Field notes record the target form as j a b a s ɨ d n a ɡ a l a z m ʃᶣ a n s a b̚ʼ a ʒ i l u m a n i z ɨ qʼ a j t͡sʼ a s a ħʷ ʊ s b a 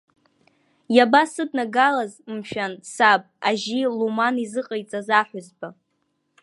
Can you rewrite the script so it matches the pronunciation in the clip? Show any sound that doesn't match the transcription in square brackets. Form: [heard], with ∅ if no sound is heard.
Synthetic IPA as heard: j a b a s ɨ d n a ɡ a l a z m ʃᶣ a n s a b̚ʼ a ʒ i l u m a n i z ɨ qʼ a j t͡sʼ a [z] a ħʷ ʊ [z] b a